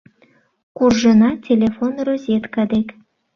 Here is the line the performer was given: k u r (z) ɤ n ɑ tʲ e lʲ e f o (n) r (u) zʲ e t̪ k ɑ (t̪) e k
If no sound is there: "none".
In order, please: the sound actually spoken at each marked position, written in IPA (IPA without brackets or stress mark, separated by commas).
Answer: ʒ, n, o, d̪